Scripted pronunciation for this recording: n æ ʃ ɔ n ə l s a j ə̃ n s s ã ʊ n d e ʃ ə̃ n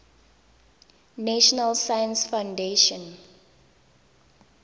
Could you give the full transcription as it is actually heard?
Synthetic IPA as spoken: n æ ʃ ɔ n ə l s a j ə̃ n s f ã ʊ n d e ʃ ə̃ n